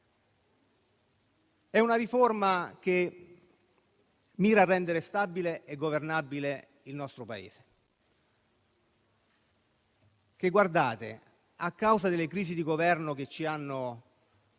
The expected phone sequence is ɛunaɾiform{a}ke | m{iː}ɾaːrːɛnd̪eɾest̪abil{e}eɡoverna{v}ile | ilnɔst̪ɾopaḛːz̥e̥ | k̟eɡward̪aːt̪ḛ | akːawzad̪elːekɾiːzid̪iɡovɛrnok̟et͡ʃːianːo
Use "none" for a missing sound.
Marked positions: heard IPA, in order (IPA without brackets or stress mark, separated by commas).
a, iː, e, b